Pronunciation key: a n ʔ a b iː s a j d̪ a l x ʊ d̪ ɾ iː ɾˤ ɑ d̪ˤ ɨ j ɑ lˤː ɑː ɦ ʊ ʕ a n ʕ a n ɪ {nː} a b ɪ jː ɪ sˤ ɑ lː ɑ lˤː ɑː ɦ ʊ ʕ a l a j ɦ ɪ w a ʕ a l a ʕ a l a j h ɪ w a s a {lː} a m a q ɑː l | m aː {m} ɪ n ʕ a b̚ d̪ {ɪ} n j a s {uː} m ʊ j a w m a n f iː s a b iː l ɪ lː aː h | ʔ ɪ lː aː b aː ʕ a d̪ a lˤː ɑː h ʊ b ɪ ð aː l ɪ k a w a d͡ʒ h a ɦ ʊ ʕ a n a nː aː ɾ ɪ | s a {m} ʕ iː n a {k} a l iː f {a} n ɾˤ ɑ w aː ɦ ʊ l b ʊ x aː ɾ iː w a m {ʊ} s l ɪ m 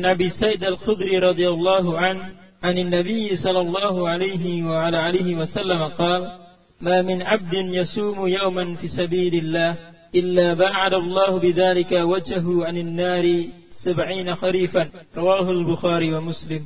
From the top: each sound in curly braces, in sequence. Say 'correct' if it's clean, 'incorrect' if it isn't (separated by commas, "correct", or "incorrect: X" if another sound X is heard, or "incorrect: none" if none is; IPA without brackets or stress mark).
correct, correct, correct, correct, correct, incorrect: b, incorrect: x, correct, correct